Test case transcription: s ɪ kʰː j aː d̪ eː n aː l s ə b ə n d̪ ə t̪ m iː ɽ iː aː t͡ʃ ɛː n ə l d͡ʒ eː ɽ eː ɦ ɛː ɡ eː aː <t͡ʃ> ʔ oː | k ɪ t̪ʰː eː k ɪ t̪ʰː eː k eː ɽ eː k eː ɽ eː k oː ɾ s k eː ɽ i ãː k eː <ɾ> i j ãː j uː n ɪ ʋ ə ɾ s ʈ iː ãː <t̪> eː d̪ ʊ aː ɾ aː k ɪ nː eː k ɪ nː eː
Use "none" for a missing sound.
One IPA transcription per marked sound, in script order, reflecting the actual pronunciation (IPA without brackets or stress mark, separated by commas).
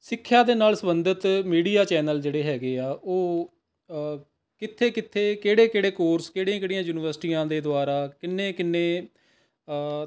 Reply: none, ɽ, d̪